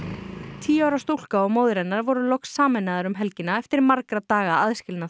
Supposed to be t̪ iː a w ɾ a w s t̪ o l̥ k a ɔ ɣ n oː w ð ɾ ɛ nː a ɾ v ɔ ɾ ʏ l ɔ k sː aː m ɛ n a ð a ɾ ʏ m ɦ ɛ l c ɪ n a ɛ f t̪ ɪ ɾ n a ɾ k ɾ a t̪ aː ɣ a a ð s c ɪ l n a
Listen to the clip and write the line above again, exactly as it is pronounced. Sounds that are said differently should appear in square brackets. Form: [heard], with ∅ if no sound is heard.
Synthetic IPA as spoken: [t̪ʰ] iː a w ɾ a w s t̪ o l̥ k a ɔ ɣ [m] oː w ð ɾ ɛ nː a ɾ v ɔ ɾ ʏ l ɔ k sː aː m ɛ n a ð a ɾ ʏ m ɦ ɛ l c ɪ n a ɛ f t̪ ɪ ɾ [m] a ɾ k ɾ a t̪ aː ɣ a a ð s c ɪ l n a